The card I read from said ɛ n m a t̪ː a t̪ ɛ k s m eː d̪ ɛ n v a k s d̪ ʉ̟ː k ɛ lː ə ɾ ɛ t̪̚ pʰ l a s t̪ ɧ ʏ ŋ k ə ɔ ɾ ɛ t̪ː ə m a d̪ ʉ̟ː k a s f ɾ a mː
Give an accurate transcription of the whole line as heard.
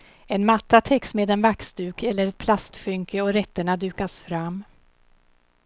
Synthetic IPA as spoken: ɛ n m a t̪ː a t̪ʰ ɛ k s m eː d̪ ɛ n v a k s d̪ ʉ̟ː k ɛ lː ə ɾ ɛ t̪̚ pʰ l a s t̪ ɧ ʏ ŋ k ə ɔ ɾ ɛ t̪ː ə ɳ a d̪ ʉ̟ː k a s f ɾ a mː